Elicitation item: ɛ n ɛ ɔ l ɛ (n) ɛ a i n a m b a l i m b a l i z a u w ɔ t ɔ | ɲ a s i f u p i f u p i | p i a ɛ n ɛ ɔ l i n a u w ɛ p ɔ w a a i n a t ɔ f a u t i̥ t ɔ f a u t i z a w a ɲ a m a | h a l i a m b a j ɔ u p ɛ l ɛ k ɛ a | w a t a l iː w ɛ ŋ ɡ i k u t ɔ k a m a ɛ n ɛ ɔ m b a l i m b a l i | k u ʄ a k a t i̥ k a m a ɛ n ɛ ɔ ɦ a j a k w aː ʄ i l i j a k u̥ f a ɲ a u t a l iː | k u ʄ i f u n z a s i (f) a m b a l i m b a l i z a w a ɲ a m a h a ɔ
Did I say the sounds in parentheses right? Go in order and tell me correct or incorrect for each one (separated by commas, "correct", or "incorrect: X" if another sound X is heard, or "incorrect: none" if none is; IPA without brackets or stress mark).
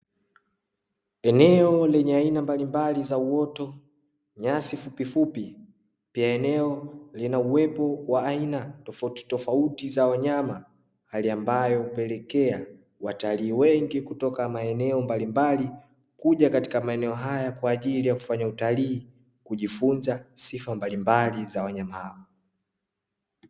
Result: incorrect: ɲ, correct